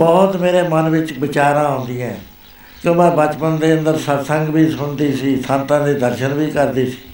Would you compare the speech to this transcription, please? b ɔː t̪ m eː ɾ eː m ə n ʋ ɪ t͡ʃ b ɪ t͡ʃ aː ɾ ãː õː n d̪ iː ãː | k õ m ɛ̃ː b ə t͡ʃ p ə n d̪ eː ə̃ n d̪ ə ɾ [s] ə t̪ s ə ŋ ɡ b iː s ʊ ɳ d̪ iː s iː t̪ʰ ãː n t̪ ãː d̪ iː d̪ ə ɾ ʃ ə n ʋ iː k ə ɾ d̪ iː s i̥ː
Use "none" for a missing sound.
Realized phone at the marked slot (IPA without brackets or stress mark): s